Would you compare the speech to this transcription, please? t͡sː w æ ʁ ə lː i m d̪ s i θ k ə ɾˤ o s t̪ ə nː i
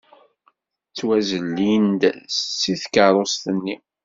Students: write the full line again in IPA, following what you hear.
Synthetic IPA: t͡sː w æ z ə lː i n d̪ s i θ k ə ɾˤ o s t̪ ə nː i